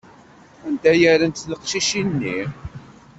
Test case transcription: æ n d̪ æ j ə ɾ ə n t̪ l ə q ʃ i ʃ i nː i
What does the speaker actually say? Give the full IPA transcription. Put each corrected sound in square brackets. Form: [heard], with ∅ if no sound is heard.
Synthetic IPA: æ n d̪ æ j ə ɾ ə n t̪ l ə q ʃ i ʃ i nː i